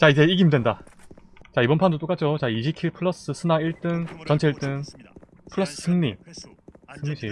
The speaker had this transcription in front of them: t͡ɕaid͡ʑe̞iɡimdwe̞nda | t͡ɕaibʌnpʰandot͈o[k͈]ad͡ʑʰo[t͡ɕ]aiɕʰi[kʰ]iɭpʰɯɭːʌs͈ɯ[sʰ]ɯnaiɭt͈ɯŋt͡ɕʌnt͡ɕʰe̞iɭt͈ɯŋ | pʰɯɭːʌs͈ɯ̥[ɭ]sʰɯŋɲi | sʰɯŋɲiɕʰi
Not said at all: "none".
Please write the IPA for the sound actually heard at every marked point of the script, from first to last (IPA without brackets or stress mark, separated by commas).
k͈, t͡ɕ, kʰ, sʰ, none